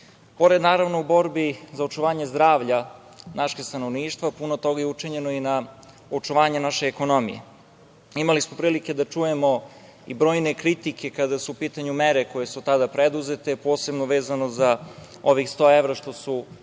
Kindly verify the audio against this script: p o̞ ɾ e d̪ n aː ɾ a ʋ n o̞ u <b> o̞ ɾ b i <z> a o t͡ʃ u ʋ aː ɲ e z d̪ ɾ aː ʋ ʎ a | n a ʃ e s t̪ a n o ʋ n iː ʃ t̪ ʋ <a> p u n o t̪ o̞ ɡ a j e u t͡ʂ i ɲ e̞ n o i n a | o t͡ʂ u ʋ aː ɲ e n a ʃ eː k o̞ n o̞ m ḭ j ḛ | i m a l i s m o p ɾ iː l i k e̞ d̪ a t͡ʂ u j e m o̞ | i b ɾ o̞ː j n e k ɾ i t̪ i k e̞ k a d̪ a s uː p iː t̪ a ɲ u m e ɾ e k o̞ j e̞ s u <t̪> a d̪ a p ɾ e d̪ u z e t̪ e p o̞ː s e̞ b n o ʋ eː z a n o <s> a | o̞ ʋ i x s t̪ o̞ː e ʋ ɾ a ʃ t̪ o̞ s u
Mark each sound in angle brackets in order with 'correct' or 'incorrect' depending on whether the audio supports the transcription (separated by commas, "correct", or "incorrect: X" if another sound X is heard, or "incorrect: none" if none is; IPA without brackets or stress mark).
correct, correct, correct, correct, incorrect: z